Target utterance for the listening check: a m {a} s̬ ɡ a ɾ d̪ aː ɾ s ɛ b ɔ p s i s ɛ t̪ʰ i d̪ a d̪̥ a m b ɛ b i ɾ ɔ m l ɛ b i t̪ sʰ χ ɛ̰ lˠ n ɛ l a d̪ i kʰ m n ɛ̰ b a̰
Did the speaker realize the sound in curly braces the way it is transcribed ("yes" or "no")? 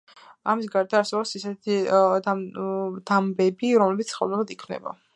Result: no